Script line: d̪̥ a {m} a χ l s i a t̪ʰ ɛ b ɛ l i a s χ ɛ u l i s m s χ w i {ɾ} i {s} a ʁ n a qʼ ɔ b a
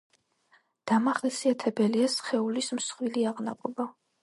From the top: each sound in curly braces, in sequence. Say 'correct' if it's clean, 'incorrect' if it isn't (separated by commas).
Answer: correct, incorrect, incorrect